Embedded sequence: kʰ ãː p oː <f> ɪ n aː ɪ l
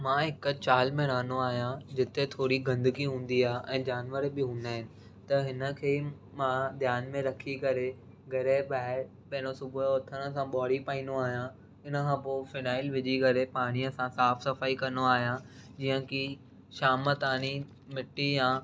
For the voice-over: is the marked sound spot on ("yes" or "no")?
yes